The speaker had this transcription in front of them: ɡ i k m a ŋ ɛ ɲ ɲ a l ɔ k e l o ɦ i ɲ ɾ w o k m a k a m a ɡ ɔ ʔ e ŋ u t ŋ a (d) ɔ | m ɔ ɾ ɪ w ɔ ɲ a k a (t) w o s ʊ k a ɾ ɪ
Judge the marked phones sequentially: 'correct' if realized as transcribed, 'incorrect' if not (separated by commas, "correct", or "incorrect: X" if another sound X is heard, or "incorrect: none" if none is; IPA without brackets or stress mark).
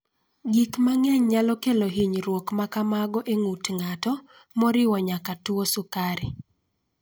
incorrect: t, correct